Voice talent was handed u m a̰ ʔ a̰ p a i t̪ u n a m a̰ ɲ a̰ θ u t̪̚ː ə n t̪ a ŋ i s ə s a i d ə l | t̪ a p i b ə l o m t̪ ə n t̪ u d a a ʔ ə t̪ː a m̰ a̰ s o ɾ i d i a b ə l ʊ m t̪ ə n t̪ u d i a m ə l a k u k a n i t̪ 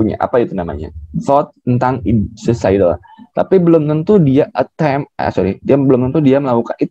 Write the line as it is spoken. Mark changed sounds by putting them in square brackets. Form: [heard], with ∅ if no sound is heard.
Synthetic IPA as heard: u [ɲ] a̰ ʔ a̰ p a i t̪ u n a m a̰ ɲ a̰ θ [ɔ] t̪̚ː ə n t̪ a ŋ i s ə s a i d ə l | t̪ a p i b ə l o m t̪ ə n t̪ u d [i] a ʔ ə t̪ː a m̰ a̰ s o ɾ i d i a b ə l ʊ m t̪ ə n t̪ u d i a m ə l a k u k a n i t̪